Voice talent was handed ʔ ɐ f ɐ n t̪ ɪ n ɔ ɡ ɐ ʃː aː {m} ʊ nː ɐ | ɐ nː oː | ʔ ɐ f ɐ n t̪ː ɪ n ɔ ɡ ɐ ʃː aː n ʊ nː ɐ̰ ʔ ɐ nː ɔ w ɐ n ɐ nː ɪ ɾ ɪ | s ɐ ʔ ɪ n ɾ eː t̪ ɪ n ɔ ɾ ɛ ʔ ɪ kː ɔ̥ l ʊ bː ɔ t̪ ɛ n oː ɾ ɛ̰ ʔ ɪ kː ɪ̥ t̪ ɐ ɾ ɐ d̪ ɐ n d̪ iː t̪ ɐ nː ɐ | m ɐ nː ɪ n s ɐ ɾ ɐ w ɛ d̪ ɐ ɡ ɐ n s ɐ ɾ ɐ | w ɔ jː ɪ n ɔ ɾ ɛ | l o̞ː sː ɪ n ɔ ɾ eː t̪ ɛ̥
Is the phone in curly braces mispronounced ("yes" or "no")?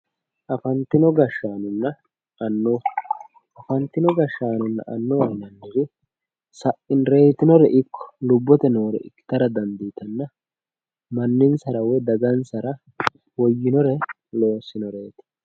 yes